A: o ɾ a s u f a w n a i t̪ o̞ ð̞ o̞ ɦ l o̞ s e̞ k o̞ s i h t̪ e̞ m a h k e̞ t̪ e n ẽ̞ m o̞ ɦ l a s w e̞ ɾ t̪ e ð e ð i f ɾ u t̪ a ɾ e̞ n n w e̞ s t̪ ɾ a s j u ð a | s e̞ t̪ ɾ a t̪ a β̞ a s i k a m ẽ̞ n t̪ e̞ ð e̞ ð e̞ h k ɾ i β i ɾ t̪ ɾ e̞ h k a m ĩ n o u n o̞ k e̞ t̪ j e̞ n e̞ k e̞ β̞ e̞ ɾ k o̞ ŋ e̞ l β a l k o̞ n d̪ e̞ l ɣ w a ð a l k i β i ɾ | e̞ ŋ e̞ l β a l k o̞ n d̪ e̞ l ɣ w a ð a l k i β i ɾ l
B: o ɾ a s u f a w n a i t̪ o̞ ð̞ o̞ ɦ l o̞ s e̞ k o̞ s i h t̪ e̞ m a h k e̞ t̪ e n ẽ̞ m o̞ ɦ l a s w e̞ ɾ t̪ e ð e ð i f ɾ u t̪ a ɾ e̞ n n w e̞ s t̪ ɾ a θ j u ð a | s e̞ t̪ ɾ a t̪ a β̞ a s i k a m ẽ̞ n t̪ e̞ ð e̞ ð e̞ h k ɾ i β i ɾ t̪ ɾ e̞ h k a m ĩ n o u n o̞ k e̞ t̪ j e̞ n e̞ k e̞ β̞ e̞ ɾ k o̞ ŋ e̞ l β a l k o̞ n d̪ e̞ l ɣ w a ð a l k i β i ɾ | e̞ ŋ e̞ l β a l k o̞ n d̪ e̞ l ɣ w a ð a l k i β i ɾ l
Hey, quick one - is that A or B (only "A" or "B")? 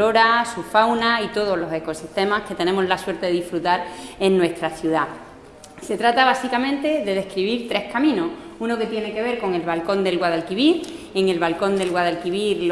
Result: B